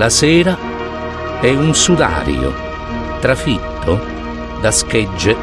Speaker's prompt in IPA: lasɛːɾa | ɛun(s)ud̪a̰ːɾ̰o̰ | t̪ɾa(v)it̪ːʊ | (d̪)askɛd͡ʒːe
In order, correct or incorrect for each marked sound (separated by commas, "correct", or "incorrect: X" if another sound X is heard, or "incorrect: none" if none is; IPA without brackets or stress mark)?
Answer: correct, incorrect: f, correct